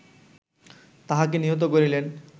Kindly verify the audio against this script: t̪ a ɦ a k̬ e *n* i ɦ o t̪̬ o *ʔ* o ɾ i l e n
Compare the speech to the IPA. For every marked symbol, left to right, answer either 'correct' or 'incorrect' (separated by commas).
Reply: correct, incorrect